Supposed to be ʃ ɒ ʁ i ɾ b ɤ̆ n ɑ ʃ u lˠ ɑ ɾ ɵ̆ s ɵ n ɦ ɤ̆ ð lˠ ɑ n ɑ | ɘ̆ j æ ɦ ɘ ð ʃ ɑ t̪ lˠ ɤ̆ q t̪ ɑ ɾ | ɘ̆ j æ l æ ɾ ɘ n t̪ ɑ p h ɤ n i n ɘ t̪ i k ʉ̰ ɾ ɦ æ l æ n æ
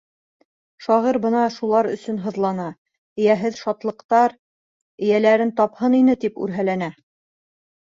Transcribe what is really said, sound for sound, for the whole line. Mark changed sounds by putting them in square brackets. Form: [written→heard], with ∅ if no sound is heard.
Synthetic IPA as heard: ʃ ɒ ʁ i ɾ b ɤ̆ n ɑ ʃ u lˠ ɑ ɾ ɵ̆ s ɵ n ɦ ɤ̆ ð lˠ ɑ n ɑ | ɘ̆ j æ ɦ ɘ ð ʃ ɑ t̪ lˠ ɤ̆ q t̪ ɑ ɾ | ɘ̆ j æ l æ ɾ ɘ n t̪ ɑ p h ɤ n i n ɘ t̪ i [k→p] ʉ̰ ɾ ɦ æ l æ n æ